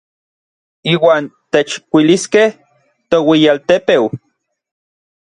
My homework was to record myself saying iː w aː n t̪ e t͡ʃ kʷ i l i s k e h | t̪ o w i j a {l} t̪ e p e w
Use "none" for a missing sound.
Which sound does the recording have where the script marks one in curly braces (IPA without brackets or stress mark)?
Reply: l